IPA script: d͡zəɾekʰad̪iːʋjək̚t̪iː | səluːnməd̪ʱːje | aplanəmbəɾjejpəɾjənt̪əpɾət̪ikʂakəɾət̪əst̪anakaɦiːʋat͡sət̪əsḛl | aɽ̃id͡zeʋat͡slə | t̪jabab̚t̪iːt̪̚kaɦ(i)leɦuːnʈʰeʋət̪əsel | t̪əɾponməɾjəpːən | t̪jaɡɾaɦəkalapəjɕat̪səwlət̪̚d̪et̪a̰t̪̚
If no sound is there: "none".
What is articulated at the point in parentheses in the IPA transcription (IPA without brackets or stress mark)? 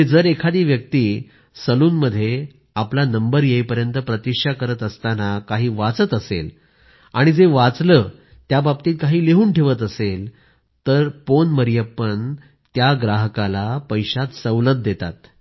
iː